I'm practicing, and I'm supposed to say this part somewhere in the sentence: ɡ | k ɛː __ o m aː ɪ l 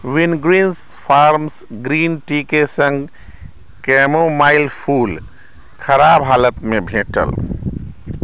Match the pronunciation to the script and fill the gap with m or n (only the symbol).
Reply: m